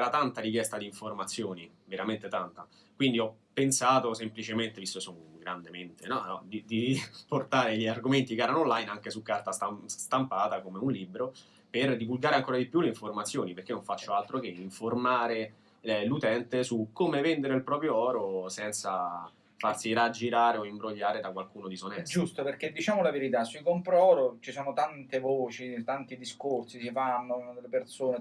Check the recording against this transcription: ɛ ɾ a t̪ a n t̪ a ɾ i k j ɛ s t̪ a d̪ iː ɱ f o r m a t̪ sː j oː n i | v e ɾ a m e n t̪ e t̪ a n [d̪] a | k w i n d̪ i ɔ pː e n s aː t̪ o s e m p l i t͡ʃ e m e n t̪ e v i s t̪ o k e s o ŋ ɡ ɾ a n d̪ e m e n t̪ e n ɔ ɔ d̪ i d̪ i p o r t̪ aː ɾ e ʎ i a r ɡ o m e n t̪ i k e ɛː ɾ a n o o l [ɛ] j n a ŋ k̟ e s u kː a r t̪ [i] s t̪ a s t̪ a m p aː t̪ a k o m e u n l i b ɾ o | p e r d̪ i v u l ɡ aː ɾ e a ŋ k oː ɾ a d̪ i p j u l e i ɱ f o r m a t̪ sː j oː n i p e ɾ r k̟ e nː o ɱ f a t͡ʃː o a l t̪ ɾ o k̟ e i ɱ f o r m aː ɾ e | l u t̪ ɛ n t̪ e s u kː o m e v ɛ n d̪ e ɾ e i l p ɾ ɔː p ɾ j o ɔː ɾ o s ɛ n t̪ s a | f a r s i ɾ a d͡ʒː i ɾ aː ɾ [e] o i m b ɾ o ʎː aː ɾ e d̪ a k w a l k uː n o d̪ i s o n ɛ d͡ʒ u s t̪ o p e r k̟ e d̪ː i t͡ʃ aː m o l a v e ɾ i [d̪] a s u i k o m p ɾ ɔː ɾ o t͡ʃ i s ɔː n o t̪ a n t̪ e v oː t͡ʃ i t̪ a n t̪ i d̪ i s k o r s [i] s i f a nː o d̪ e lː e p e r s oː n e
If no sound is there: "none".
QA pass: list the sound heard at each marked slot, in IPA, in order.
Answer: t̪, a, a, e, t̪, i

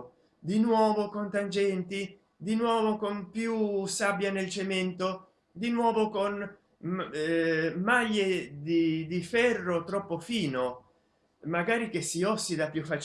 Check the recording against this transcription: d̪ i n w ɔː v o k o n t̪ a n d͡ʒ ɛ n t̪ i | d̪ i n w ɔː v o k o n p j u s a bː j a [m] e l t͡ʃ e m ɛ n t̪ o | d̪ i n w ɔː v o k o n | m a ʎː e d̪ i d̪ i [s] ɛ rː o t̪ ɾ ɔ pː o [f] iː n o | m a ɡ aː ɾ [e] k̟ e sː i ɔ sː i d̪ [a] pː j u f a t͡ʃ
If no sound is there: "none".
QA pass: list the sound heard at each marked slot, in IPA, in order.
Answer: n, f, f, i, a

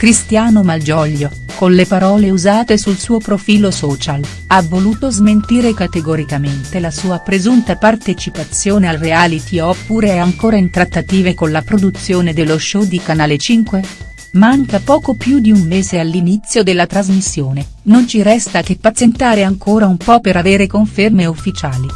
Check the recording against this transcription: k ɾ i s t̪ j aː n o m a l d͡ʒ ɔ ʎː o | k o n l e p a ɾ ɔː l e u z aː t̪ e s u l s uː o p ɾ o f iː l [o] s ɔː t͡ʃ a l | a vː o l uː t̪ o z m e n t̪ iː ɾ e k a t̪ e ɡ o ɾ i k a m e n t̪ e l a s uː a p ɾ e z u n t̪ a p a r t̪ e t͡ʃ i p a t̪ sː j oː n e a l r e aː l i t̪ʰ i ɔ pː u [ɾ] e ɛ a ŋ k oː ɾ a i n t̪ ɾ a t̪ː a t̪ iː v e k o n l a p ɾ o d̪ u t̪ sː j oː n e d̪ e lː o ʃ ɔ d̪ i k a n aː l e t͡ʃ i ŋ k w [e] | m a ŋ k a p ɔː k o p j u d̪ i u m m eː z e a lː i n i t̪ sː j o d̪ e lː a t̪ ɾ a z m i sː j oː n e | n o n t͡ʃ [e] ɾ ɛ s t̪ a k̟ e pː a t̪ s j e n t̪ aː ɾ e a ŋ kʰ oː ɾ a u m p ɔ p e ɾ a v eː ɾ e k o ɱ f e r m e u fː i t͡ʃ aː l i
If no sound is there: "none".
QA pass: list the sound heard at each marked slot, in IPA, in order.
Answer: o, ɾ, e, i

